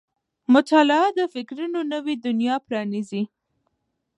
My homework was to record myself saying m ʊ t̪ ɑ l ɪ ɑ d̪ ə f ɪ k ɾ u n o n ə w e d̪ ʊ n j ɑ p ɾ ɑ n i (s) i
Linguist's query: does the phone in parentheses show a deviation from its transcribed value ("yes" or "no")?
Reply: yes